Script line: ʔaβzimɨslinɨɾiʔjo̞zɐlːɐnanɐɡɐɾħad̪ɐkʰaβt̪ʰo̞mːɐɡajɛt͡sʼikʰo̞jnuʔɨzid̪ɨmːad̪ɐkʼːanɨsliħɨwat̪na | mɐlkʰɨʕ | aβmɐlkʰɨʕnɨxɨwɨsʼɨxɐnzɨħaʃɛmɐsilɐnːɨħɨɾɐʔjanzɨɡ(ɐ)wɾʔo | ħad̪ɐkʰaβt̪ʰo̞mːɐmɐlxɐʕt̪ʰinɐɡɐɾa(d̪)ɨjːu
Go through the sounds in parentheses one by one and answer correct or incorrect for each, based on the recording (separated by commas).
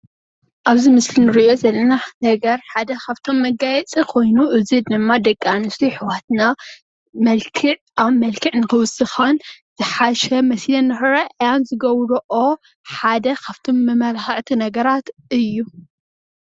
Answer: correct, incorrect